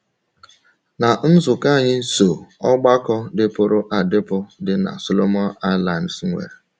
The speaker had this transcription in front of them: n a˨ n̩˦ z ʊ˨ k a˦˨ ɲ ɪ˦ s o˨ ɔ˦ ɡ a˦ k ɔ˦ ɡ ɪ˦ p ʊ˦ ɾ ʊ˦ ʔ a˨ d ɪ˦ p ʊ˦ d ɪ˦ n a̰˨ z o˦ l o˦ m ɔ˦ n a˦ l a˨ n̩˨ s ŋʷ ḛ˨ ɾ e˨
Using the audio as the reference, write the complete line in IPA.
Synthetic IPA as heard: n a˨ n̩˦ z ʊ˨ k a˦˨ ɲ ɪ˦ s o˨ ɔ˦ ɡ͡b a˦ k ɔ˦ d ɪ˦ p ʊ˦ ɾ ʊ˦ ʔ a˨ d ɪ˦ p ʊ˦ d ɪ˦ n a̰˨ s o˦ l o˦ m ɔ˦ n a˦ l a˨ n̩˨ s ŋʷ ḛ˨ ɾ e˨